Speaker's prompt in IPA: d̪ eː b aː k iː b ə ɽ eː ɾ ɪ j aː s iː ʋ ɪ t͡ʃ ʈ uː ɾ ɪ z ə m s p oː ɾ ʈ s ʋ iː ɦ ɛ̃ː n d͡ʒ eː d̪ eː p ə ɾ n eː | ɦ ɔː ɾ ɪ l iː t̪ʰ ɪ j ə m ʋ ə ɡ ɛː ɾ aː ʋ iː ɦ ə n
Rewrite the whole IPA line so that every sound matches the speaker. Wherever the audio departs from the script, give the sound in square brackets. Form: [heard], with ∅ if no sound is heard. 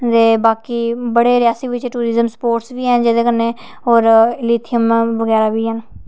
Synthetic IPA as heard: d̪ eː b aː k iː b ə ɽ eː ɾ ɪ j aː s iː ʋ ɪ t͡ʃ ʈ uː ɾ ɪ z ə m s p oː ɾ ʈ s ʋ iː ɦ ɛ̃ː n d͡ʒ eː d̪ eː [k] ə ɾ n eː | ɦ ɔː ɾ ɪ l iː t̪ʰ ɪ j ə m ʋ ə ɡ ɛː ɾ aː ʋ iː ɦ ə n

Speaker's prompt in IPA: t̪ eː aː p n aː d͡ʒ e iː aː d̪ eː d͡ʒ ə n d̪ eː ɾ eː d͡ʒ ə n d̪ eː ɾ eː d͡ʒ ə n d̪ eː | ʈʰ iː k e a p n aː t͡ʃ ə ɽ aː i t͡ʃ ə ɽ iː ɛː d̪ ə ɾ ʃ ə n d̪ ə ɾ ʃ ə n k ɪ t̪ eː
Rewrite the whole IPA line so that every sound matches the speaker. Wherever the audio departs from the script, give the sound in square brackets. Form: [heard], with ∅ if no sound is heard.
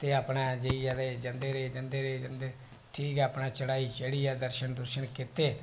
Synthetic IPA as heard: t̪ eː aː p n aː d͡ʒ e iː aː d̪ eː d͡ʒ ə n d̪ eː ɾ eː d͡ʒ ə n d̪ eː ɾ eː d͡ʒ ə n d̪ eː | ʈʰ iː k [ɛ] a p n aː t͡ʃ ə ɽ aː i t͡ʃ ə ɽ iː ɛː d̪ ə ɾ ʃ ə n d̪ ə ɾ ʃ ə n k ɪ t̪ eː

